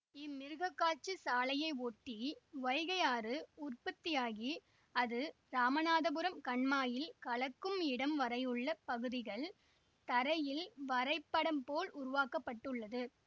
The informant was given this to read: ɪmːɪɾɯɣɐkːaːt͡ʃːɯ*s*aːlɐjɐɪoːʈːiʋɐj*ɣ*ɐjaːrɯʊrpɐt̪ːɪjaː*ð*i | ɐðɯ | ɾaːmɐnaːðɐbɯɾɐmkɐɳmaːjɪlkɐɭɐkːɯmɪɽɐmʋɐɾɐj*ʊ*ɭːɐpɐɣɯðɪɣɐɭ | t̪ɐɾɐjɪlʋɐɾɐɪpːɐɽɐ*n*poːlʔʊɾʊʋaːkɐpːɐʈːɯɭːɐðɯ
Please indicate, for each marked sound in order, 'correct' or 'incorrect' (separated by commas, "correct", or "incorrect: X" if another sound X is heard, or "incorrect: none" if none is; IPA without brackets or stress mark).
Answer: correct, correct, incorrect: ɣ, incorrect: ɯ, incorrect: m